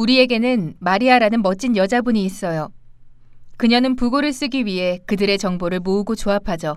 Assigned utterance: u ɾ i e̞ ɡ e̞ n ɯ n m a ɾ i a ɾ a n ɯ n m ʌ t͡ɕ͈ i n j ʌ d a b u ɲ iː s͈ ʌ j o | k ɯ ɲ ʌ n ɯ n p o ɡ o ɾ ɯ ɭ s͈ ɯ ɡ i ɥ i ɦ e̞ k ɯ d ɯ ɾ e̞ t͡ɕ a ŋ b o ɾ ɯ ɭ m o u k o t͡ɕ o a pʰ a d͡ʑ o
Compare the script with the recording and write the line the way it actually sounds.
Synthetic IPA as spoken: u ɾ i e̞ ɡ e̞ n ɯ n m a ɾ i a ɾ a n ɯ n m ʌ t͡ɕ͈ i n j ʌ d͡ʑ a b u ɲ iː s͈ ʌ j o | k ɯ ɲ ʌ n ɯ n p u ɡ o ɾ ɯ ɭ s͈ ɯ ɡ i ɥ i ɦ e̞ k ɯ d ɯ ɾ e̞ t͡ɕ ʌ ŋ b o ɾ ɯ ɭ m o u ɡ o t͡ɕ o a pʰ a d͡ʑ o